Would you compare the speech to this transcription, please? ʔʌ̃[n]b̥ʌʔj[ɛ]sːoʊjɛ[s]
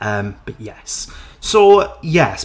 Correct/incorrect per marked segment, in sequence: incorrect: m, correct, correct

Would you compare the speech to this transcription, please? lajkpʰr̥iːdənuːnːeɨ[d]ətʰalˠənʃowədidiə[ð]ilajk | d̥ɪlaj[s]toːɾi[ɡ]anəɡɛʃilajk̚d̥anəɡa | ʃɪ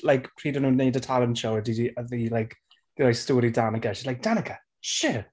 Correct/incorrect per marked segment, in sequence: correct, correct, correct, incorrect: d

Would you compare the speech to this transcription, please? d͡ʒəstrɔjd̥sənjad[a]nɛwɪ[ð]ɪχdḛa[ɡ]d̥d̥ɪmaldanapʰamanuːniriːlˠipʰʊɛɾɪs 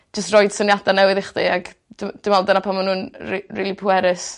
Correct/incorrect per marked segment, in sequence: correct, correct, correct

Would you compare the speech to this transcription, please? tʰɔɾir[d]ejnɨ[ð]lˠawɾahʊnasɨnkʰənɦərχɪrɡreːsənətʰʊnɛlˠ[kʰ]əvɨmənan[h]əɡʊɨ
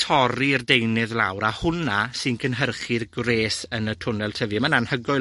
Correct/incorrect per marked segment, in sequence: correct, correct, incorrect: tʰ, correct

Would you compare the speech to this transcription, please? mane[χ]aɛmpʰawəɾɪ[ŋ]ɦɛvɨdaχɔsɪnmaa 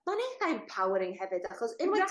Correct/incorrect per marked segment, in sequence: incorrect: θ, correct

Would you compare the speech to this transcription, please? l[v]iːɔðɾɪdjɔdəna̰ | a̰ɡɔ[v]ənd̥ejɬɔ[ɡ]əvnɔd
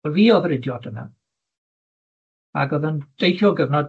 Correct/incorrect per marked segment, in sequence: correct, incorrect: ð, correct

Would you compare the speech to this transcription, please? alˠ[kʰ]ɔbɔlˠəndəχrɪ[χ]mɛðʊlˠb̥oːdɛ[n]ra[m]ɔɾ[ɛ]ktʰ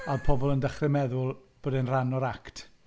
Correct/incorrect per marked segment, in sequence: incorrect: pʰ, incorrect: none, correct, incorrect: n, incorrect: a

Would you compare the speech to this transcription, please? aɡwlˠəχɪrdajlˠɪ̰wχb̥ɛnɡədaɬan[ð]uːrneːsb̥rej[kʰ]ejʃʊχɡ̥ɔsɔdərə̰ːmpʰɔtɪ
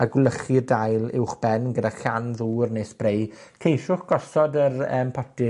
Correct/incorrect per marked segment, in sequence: correct, correct

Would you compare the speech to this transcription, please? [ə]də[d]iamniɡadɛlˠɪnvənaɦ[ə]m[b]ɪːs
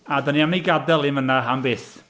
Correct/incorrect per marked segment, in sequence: incorrect: a, incorrect: n, incorrect: a, correct

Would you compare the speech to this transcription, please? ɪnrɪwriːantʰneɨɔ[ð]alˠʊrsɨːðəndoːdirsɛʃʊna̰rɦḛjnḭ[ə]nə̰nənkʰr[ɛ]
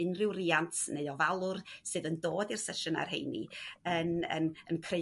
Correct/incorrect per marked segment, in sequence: incorrect: v, correct, incorrect: e

